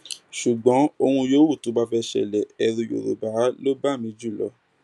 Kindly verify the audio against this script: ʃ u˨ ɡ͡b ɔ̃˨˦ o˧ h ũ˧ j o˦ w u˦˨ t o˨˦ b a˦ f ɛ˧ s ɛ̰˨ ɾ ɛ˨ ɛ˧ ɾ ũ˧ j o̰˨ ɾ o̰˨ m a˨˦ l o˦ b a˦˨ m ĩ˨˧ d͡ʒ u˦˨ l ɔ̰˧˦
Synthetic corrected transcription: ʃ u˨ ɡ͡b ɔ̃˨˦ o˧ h ũ˧ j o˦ w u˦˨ t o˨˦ b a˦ f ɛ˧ ʃ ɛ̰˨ l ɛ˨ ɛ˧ ɾ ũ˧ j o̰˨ ɾ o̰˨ b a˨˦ l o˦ b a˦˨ m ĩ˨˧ d͡ʒ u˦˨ l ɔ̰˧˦